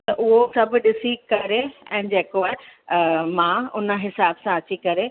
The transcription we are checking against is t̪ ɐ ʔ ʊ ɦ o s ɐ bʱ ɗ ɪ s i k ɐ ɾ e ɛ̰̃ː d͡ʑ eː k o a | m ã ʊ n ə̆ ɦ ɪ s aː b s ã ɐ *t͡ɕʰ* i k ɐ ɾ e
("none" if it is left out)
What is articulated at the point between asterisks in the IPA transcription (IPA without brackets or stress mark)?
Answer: t͡ɕ